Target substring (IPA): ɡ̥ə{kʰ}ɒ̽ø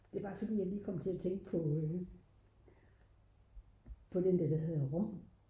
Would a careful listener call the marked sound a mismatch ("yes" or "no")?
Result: yes